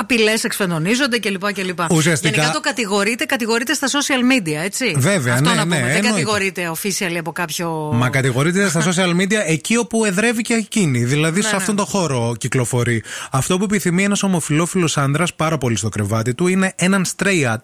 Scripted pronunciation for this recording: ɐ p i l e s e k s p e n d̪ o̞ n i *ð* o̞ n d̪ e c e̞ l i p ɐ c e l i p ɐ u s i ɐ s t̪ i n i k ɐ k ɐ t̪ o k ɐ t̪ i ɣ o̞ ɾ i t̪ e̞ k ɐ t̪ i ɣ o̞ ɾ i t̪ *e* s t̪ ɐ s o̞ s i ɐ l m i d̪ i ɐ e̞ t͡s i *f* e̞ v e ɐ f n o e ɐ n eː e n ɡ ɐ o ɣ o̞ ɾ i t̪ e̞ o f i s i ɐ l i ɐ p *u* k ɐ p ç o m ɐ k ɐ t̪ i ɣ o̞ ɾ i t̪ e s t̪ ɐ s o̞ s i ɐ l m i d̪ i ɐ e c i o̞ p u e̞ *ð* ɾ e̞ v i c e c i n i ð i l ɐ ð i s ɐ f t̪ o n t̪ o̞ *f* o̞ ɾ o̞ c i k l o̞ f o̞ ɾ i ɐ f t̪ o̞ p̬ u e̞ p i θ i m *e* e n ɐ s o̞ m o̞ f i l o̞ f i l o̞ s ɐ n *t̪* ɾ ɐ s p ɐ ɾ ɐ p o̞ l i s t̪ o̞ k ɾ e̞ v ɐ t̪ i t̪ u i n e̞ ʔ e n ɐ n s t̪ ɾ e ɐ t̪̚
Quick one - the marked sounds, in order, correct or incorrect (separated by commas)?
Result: incorrect, correct, incorrect, incorrect, correct, incorrect, incorrect, incorrect